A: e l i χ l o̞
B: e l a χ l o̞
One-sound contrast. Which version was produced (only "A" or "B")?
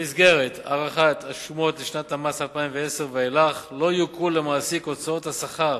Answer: B